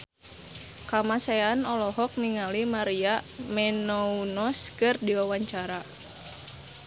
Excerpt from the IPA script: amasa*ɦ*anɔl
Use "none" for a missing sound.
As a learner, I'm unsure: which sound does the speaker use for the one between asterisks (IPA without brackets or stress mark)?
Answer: none